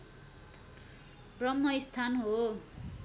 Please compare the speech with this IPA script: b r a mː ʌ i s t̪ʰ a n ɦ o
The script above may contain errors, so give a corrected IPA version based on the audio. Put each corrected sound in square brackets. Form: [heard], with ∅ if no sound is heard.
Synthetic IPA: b r [ʌ] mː ʌ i s t̪ʰ a n ɦ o